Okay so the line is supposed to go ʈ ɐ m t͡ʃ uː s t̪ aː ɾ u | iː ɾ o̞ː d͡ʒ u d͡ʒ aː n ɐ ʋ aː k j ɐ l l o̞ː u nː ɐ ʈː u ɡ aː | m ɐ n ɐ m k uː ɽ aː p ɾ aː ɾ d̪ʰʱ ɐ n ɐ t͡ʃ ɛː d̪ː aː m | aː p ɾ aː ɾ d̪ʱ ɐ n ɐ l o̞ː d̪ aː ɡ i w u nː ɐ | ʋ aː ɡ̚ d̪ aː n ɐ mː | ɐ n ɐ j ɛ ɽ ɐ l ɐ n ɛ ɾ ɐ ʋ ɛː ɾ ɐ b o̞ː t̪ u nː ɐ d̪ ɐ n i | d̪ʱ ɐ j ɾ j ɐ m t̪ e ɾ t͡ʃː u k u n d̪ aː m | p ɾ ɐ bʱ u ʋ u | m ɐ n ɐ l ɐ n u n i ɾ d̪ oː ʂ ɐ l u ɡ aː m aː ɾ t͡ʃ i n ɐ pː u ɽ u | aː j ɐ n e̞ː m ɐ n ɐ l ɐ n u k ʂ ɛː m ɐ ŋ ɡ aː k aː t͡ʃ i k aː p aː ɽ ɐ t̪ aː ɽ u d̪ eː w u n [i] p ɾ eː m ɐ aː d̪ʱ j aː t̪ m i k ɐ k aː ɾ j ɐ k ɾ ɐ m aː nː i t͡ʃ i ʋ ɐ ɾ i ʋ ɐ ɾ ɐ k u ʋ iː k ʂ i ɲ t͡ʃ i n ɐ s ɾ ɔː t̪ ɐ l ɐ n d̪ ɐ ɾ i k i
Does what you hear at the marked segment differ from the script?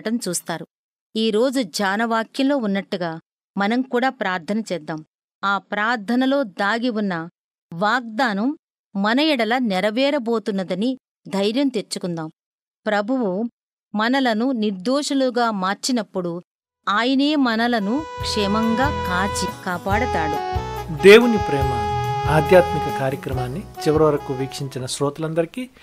no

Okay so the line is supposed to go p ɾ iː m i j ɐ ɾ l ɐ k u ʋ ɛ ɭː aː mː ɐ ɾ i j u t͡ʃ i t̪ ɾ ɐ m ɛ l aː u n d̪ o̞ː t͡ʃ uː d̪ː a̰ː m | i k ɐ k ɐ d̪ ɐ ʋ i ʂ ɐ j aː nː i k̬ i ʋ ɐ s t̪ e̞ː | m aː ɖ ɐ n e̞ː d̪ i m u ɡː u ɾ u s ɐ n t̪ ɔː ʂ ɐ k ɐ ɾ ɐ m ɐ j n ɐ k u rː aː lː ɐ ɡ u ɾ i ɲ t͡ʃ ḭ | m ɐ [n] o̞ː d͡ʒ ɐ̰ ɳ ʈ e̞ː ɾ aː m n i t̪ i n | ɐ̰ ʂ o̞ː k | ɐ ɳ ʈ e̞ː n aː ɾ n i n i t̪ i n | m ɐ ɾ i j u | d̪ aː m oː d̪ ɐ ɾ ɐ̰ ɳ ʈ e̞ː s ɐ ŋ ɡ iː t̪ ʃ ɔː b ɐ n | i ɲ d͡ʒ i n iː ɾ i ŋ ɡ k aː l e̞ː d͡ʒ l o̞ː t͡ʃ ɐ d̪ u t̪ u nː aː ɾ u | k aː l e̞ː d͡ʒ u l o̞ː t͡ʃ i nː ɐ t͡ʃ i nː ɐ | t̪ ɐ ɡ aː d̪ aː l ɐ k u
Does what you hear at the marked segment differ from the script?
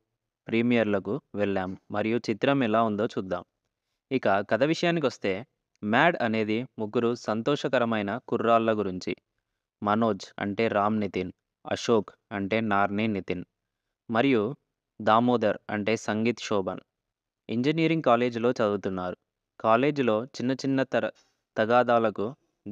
no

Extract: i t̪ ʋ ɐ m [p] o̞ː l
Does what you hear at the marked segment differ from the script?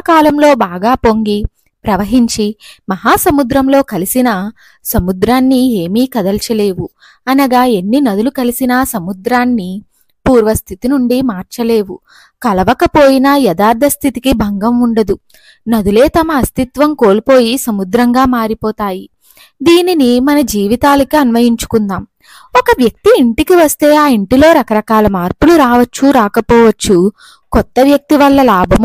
yes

